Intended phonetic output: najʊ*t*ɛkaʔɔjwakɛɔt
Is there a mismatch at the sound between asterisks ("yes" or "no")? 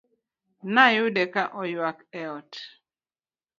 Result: yes